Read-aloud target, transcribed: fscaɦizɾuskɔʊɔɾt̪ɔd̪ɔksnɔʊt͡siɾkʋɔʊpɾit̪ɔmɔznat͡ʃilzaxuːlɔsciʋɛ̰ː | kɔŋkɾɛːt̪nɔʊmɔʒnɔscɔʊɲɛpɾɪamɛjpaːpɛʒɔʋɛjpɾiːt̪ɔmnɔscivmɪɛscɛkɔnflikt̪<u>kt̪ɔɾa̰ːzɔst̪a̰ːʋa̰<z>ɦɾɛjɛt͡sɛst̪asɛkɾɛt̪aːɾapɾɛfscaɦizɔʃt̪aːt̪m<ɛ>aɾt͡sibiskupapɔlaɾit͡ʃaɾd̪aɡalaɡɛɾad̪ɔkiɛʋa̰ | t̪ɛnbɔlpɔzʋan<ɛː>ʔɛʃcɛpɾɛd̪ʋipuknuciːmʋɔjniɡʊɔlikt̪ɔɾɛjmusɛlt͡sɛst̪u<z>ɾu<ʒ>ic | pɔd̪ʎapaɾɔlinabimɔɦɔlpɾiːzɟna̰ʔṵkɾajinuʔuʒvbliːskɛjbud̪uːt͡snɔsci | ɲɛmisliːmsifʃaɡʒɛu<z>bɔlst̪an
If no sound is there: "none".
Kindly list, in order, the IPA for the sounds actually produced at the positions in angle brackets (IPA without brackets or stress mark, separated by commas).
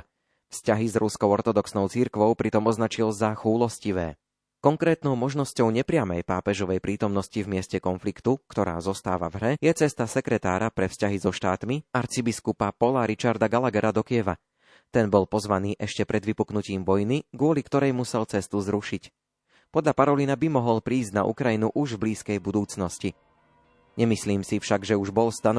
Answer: u, v, i, iː, z, ʃ, ʒ